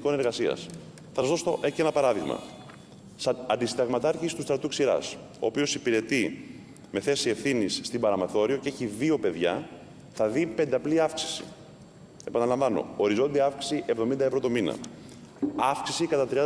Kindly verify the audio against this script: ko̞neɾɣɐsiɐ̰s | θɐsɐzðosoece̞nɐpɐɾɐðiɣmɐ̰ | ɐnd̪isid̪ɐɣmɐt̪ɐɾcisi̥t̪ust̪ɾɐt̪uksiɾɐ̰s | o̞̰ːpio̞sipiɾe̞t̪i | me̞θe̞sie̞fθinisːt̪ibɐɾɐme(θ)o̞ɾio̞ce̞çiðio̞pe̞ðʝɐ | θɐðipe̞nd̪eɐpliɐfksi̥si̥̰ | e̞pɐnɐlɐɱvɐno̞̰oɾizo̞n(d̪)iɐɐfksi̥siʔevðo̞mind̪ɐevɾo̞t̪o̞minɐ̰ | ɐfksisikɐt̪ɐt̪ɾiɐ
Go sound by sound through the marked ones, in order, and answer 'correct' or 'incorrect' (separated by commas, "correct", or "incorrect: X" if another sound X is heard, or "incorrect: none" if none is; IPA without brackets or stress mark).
correct, correct